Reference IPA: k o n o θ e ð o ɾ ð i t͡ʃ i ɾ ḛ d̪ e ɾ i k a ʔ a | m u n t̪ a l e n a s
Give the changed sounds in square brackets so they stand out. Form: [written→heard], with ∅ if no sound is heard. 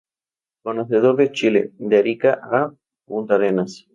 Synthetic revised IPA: k o n o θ e ð o ɾ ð [i→e] t͡ʃ i [ɾ→l] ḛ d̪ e ɾ i k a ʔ a | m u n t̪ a [l→ɾ] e n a s